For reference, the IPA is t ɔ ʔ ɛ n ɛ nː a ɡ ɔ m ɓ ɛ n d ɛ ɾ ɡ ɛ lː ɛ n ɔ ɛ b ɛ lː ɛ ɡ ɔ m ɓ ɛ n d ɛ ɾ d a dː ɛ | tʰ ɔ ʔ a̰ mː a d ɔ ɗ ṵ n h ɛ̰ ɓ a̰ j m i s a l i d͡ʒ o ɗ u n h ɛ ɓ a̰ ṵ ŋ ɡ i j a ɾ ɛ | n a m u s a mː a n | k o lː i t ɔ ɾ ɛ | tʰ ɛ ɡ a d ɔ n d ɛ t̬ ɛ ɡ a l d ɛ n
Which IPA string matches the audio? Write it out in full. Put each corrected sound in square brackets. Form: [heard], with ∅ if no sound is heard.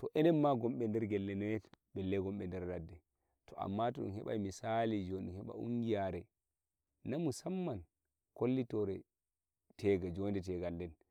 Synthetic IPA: t ɔ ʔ ɛ n ɛ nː a ɡ ɔ m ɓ ɛ n d ɛ ɾ ɡ ɛ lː ɛ n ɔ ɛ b ɛ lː ɛ ɡ ɔ m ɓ ɛ n d ɛ ɾ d a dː ɛ | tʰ ɔ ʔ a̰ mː a [t] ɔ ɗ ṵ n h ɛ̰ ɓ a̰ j m i s a l i d͡ʒ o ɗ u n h ɛ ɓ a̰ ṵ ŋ ɡ i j a ɾ ɛ | n a m u s a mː a n | k o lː i t ɔ ɾ ɛ | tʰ ɛ ɡ a [d͡ʒ] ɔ n d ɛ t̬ ɛ ɡ a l d ɛ n